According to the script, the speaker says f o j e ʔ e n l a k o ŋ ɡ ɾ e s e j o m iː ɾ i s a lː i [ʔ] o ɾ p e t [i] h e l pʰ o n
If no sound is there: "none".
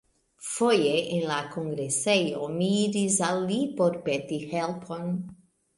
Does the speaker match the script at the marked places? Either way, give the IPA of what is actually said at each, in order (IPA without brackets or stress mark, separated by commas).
p, i